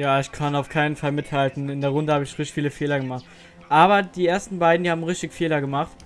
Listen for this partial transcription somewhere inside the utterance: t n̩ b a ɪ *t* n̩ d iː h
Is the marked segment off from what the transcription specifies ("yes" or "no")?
yes